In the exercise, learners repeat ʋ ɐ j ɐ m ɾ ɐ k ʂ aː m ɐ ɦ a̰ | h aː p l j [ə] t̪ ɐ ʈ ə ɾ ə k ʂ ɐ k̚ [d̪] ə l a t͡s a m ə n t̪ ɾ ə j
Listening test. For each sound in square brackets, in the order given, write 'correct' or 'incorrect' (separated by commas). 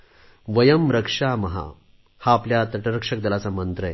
incorrect, correct